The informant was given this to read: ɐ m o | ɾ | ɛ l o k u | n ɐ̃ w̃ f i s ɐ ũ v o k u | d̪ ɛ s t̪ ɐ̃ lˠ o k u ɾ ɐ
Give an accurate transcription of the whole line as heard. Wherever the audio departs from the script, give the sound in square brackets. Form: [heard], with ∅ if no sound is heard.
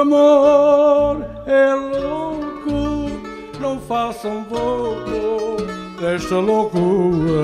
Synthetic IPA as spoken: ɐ m o | ɾ | ɛ l o k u | n ɐ̃ w̃ f [a] s ɐ ũ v o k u | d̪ ɛ [ʃ] t̪ [ɐ] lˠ o k u ɾ ɐ

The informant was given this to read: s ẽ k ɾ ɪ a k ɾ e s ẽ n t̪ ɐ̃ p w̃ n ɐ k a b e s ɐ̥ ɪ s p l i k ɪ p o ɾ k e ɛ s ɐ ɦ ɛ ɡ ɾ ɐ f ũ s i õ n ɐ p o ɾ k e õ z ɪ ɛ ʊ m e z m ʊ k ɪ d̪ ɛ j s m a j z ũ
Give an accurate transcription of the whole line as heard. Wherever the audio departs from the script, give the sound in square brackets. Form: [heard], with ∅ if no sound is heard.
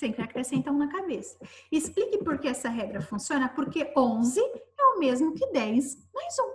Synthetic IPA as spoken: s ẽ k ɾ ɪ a k ɾ e s ẽ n t̪ ɐ̃ [∅] w̃ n ɐ k a b e s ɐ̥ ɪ s p l i k ɪ p o ɾ k e ɛ s ɐ ɦ ɛ ɡ ɾ ɐ f ũ s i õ n ɐ p o ɾ k e õ z ɪ ɛ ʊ m e z m ʊ k ɪ d̪ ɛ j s m a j z ũ

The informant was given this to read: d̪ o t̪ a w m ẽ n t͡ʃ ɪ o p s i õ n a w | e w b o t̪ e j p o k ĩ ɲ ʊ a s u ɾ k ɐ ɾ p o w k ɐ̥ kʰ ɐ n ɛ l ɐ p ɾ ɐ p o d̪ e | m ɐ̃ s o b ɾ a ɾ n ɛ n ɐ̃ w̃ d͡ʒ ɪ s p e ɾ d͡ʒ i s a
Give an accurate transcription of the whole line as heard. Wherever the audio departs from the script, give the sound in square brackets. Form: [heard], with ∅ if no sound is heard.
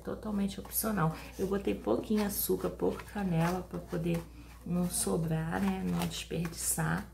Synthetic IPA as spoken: [t̪] o t̪ a w m ẽ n t͡ʃ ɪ o p s i [o] n a w | e w b o t̪ e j p o k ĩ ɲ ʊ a s u [∅] k ɐ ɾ p o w k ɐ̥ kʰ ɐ n ɛ l ɐ p ɾ ɐ p o d̪ e | [n] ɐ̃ s o b ɾ a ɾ n ɛ n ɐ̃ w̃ d͡ʒ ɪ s p e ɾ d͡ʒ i s a

